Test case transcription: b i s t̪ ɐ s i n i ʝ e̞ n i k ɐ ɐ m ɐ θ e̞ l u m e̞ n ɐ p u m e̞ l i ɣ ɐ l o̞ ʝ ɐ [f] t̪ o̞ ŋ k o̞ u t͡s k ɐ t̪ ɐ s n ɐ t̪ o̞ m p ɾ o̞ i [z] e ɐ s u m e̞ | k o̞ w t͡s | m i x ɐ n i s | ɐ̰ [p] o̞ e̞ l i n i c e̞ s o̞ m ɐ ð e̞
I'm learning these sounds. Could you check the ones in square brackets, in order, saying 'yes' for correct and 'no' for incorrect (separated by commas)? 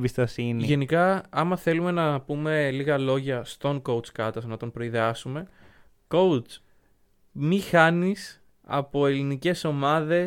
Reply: no, no, yes